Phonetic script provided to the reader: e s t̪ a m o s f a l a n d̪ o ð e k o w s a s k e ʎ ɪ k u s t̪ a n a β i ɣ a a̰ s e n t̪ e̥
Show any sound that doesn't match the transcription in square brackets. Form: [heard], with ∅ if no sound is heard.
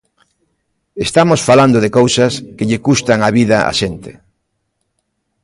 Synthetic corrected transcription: e s t̪ a m o s f a l a n d̪ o ð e k o w s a s k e ʎ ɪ k u s t̪ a [ŋ] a β i [ð] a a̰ [ʃ] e n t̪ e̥